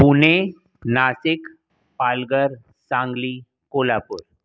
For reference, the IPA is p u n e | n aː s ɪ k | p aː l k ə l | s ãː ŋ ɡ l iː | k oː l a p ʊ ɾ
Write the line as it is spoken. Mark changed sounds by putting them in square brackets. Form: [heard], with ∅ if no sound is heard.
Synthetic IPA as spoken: p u n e | n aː s ɪ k | p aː l [ɡ] ə [ɾ] | s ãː ŋ ɡ l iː | k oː l a p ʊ ɾ